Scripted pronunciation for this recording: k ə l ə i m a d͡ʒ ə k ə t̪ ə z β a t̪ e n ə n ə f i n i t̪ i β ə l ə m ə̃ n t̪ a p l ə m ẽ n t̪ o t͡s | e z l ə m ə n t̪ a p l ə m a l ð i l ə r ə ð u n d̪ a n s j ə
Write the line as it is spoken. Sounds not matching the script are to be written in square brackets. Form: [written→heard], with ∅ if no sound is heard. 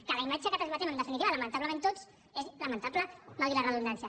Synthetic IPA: k ə l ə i m a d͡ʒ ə k ə t̪ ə z β a t̪ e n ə n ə f i n i t̪ i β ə l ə m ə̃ n t̪ a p l ə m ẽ n t̪ o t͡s | e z l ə m ə n t̪ a p l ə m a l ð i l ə r ə ð u n d̪ a n s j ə